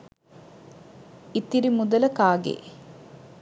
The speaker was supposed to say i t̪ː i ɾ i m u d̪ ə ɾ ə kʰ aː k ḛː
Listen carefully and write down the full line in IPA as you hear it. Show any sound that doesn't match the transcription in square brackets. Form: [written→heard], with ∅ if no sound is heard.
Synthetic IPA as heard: i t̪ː i ɾ i m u d̪ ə [ɾ→l] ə [kʰ→k] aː [k→ɡ] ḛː